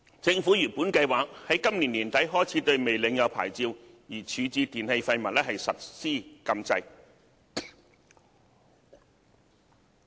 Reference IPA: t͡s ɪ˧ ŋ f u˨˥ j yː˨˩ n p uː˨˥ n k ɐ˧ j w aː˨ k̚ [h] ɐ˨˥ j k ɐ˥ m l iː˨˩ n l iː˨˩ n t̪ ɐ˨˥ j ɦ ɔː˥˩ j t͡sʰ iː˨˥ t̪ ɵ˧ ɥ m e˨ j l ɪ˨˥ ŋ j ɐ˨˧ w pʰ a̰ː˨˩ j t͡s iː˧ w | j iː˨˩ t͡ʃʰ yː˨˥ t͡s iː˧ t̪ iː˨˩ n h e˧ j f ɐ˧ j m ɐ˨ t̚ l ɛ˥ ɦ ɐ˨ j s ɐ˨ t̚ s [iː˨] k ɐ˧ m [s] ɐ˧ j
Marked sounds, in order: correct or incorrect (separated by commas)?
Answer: correct, incorrect, incorrect